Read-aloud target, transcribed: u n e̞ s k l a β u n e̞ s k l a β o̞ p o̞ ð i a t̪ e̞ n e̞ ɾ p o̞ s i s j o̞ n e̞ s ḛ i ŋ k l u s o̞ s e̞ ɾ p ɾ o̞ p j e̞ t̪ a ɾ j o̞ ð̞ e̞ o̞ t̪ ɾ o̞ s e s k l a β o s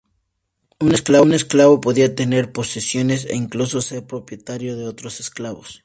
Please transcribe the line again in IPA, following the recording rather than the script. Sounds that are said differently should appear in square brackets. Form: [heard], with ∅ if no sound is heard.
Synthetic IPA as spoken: u n e̞ s k l a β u n e̞ s k l a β o̞ p o̞ ð i a t̪ e̞ n e̞ ɾ p o̞ s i s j o̞ n e̞ s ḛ i ŋ k l u s o̞ s e̞ ɾ p ɾ o̞ p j e̞ t̪ a ɾ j o̞ ð̞ e̞ o̞ t̪ ɾ o̞ s e s k l a β o s